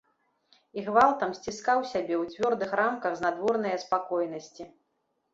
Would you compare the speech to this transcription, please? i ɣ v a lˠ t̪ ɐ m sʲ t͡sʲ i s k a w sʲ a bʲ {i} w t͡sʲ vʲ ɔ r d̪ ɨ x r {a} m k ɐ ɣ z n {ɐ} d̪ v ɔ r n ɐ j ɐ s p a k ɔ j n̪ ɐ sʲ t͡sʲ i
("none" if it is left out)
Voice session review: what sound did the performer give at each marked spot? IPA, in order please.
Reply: ɛ, a, a

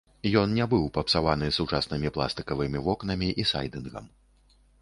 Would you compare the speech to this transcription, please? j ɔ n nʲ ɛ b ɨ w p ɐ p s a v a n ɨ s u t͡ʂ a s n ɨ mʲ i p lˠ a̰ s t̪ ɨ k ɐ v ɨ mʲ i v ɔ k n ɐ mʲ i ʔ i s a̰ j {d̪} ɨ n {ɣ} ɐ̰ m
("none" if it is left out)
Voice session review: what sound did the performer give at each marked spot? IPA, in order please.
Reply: d̪, ɣ

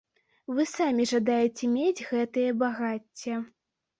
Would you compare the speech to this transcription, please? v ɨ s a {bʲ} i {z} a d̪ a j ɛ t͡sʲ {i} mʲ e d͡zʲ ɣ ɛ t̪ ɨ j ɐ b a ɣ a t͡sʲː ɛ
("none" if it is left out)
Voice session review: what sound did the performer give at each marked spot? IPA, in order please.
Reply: mʲ, ʐ, ɛ

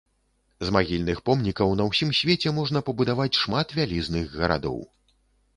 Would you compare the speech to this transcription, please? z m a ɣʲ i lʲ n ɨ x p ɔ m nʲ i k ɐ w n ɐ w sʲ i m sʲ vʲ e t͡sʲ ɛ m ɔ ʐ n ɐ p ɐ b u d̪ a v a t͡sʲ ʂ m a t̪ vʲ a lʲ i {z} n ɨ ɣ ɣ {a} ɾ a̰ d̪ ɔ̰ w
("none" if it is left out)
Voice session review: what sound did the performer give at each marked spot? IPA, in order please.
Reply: z, ɐ

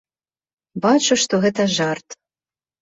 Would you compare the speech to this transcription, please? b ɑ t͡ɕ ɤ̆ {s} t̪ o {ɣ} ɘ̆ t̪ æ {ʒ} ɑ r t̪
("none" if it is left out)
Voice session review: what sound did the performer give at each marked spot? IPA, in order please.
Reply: ʃ, ɣ, ʒ

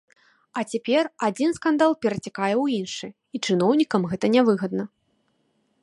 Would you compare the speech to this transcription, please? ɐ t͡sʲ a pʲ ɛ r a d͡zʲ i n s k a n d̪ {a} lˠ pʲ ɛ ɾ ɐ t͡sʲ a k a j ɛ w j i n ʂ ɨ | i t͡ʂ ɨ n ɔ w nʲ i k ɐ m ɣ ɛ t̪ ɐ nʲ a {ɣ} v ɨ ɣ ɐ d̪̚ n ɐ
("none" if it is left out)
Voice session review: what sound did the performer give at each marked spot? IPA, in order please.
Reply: a, none

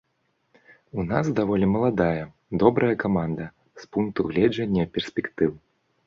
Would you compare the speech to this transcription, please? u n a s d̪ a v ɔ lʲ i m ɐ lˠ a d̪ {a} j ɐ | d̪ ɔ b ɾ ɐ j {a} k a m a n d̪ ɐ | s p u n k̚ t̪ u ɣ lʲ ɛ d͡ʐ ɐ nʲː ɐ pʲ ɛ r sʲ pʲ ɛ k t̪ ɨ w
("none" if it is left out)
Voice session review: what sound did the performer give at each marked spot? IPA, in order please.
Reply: a, ɐ

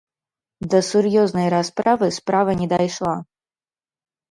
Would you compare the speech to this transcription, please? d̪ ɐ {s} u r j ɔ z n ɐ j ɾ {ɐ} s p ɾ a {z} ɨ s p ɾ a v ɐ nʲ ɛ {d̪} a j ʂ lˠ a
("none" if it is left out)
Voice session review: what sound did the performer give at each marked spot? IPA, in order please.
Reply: s, a, v, d̪

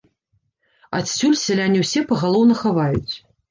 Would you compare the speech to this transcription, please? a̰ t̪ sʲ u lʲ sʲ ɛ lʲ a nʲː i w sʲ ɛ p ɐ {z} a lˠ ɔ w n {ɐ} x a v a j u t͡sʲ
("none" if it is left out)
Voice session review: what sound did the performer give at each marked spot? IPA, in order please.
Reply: ɣ, ɐ

